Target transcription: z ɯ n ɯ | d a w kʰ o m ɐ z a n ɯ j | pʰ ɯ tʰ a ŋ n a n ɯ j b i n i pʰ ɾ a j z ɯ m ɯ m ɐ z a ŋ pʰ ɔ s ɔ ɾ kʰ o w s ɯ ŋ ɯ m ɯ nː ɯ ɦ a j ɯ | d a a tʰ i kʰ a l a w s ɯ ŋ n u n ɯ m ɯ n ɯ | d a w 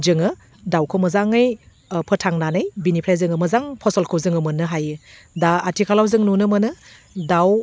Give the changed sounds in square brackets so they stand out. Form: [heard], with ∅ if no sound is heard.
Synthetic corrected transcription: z ɯ [ŋ] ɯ | d a w kʰ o m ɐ z a [ŋ] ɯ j | pʰ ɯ tʰ a ŋ n a n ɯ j b i n i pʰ ɾ a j z ɯ [ŋ] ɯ m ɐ z a ŋ pʰ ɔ s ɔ [l] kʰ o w [z] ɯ ŋ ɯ m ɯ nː ɯ ɦ a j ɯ | d a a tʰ i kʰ a l a w [z] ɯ ŋ n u n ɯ m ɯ n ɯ | d a w